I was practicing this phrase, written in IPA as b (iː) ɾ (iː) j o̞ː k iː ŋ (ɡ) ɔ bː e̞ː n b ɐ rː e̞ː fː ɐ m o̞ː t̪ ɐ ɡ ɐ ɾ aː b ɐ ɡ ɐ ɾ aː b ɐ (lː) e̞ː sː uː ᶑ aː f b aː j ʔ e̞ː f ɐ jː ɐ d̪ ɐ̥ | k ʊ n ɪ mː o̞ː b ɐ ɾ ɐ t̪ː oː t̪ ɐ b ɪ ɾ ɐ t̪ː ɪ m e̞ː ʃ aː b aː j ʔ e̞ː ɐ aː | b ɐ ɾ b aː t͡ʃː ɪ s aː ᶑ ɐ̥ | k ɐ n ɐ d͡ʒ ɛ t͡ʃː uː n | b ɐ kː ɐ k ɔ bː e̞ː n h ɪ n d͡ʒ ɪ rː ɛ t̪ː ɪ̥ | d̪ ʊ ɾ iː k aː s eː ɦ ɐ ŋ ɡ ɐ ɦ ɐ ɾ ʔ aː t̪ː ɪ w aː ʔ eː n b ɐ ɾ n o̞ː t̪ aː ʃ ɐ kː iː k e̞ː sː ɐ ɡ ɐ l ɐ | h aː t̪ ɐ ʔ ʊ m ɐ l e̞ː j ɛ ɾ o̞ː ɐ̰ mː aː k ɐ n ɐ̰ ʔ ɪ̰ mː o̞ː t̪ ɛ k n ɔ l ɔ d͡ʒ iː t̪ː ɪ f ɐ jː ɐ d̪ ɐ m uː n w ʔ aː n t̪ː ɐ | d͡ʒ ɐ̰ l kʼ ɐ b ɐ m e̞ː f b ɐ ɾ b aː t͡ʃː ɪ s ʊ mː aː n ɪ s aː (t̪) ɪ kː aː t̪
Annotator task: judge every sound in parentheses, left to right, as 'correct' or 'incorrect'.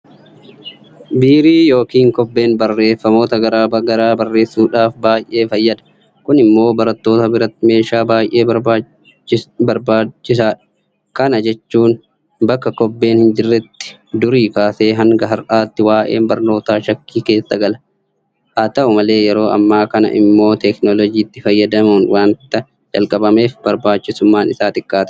correct, correct, incorrect, incorrect, correct

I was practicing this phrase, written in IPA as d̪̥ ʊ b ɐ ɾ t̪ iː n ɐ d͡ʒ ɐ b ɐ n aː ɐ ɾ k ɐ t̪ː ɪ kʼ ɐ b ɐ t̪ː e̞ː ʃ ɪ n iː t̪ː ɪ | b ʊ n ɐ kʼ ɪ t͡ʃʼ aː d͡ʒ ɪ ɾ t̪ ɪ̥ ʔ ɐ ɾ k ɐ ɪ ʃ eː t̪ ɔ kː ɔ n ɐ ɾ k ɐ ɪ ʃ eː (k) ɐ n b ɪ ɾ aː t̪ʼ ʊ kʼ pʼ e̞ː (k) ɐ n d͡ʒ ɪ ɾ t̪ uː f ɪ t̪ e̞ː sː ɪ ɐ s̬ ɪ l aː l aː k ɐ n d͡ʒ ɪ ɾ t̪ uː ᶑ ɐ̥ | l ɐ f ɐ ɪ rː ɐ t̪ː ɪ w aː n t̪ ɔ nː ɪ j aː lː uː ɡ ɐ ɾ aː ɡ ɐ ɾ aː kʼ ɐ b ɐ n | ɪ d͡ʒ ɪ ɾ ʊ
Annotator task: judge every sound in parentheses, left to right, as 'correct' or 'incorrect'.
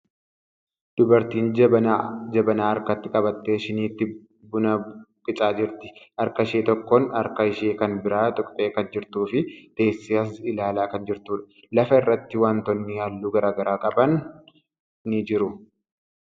correct, correct

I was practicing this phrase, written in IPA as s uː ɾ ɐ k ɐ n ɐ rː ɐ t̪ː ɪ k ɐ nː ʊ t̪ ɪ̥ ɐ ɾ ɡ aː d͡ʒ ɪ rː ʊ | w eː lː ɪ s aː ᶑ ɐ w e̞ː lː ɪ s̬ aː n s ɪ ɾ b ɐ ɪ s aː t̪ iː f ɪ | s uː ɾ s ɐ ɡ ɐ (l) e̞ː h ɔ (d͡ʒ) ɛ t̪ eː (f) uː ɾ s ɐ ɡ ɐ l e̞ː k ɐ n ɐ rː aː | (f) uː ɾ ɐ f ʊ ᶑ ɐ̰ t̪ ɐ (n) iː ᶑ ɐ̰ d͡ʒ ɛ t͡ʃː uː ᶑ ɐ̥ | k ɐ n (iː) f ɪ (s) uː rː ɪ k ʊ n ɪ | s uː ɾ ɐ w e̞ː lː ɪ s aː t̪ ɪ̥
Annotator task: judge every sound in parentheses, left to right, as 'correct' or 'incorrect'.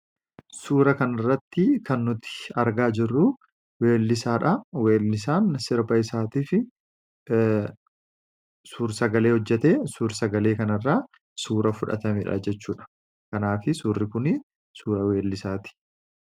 correct, incorrect, incorrect, incorrect, incorrect, incorrect, correct

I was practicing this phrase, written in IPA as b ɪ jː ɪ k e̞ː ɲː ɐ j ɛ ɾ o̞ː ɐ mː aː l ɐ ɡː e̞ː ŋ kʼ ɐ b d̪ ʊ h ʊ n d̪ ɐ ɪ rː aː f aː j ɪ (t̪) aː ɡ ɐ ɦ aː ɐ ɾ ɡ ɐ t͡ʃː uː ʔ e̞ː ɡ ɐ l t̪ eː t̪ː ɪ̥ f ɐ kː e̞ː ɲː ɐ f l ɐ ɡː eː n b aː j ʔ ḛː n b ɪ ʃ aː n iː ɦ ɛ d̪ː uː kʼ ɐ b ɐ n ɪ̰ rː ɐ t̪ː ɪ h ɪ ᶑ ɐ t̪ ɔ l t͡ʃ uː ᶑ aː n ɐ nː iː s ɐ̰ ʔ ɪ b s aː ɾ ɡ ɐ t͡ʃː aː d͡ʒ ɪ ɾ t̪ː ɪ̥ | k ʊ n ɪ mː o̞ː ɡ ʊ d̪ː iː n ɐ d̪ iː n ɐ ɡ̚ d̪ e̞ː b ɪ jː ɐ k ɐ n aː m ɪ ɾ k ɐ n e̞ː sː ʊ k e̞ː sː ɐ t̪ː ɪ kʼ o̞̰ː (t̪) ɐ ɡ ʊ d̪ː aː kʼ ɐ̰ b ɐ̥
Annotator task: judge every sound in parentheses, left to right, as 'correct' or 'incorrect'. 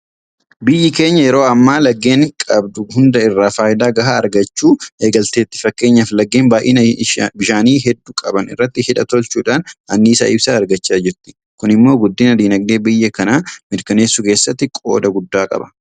incorrect, incorrect

